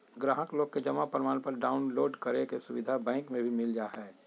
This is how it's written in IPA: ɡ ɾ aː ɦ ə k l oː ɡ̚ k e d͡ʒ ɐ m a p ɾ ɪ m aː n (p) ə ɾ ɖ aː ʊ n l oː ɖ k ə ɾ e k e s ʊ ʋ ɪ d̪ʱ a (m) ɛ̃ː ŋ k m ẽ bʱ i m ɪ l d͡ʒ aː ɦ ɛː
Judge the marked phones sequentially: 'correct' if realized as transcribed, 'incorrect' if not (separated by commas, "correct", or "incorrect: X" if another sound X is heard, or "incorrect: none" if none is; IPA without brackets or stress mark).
correct, incorrect: b